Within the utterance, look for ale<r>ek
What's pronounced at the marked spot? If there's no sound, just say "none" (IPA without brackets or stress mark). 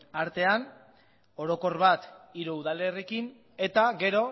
r